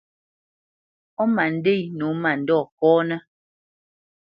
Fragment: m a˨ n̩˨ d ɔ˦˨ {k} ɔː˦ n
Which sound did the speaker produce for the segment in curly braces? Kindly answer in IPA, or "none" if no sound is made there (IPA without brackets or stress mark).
k